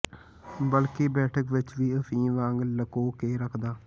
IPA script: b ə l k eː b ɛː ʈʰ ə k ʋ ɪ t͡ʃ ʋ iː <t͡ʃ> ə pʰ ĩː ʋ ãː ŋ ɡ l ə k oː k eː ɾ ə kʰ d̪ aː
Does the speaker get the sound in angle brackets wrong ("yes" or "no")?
yes